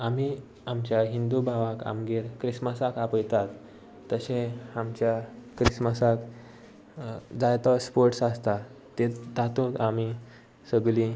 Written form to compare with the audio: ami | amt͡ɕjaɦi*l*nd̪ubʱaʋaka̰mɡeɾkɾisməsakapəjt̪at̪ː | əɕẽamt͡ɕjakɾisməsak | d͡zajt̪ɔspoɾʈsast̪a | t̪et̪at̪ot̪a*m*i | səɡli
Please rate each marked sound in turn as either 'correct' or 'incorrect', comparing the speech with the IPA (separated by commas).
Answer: incorrect, correct